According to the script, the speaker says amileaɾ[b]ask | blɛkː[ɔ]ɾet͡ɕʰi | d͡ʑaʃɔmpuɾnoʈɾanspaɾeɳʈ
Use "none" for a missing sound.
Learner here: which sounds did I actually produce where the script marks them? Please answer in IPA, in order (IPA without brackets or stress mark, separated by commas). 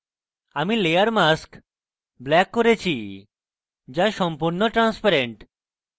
m, o